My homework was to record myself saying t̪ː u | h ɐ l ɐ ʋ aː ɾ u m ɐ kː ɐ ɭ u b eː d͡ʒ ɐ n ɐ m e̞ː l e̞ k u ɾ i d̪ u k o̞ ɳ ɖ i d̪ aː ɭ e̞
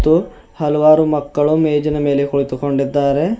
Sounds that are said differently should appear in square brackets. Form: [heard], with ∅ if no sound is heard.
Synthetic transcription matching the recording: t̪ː u | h ɐ l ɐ ʋ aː ɾ u m ɐ kː ɐ ɭ u [m] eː d͡ʒ ɐ n ɐ m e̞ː l e̞ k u [ɭ] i [t̪] u k o̞ ɳ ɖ i [d̪ː] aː [ɾ] e̞